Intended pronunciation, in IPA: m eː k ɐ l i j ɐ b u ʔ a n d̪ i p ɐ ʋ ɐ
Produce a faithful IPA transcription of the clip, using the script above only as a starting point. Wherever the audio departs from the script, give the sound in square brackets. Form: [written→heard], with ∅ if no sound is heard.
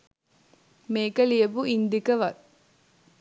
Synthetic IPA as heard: m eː k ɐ l i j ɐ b u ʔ [a→i] n d̪ i [p→k] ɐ ʋ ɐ